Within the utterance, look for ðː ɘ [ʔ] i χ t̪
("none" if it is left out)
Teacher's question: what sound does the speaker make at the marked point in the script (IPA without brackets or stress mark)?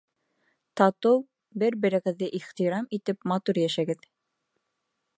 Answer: ʔ